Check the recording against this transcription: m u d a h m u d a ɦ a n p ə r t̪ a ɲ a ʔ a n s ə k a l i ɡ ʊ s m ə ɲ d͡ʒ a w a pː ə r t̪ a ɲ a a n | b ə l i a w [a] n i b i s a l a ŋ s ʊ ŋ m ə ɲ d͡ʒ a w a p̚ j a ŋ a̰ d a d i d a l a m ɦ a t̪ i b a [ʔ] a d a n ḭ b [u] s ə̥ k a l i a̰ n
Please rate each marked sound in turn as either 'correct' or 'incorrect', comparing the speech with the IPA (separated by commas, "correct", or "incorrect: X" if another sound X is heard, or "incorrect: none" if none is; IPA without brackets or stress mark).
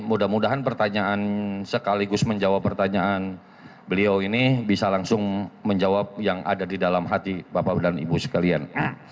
incorrect: i, incorrect: p, correct